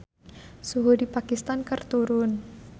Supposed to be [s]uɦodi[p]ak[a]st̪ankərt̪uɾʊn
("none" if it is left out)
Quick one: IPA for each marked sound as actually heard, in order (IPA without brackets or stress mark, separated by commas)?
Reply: s, p, i